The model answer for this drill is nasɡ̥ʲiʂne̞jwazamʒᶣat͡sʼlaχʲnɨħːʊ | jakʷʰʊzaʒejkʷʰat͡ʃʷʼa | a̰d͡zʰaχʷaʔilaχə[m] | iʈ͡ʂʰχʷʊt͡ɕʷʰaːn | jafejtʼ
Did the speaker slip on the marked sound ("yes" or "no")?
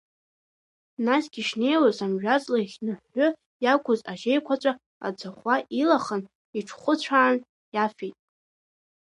yes